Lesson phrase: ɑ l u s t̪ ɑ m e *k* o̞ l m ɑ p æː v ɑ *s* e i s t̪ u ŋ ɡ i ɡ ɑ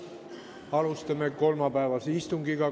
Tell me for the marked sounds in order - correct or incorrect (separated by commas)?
correct, correct